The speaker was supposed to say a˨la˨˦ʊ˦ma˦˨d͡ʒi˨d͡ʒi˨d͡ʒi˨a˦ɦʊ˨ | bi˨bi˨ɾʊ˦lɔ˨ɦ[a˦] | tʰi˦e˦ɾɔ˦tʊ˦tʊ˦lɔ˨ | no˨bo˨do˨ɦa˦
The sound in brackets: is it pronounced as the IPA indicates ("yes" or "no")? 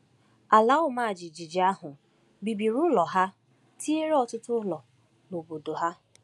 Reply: yes